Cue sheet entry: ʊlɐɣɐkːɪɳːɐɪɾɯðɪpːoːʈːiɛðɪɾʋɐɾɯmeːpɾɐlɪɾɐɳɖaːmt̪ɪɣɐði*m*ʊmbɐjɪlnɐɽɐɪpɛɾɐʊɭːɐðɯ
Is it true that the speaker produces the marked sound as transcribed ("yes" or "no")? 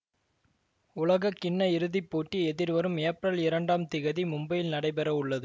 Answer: yes